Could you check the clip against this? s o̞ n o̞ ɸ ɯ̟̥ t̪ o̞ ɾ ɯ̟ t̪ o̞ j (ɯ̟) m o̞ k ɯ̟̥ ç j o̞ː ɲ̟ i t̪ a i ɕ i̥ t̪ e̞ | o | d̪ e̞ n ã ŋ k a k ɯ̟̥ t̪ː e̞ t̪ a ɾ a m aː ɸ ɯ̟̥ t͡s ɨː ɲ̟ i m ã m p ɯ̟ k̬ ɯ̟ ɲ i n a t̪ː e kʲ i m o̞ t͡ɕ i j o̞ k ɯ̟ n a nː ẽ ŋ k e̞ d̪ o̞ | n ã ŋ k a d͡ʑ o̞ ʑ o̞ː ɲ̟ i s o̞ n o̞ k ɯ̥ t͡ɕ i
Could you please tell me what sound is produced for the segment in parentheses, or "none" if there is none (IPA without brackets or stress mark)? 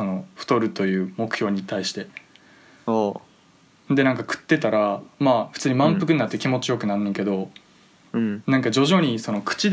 ɯ̟ː